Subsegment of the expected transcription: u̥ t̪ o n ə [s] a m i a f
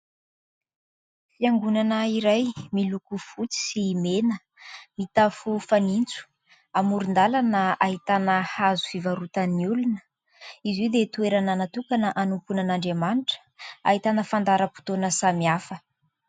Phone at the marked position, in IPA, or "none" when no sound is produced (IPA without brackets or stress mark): s